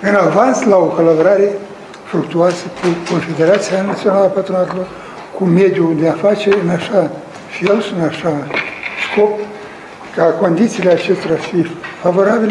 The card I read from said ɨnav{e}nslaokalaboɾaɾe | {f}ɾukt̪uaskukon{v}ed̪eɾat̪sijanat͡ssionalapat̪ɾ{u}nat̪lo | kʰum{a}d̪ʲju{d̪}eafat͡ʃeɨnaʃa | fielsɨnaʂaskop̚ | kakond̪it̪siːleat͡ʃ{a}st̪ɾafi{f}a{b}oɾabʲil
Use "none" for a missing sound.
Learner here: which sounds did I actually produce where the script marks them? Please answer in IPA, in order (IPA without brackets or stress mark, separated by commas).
a, f, f, o, e, d̪, e, f, v